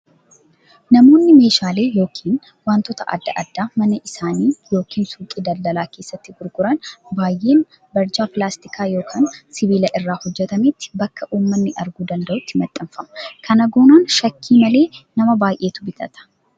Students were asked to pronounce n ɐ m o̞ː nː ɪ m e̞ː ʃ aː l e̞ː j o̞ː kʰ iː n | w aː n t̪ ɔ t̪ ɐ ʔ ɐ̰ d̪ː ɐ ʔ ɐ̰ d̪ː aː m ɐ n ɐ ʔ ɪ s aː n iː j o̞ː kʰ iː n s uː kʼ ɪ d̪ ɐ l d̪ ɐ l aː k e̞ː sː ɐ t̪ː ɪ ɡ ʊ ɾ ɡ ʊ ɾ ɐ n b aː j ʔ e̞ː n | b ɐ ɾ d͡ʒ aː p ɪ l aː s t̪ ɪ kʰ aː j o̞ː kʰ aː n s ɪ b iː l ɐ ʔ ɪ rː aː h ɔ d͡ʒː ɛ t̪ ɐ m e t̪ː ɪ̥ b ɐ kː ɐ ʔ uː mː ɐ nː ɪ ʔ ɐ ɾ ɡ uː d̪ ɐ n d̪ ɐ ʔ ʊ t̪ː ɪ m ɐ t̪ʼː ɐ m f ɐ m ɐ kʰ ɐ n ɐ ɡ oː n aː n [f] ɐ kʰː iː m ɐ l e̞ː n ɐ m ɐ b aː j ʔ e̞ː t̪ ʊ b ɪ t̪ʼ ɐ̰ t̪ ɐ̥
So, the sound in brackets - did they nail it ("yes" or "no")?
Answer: no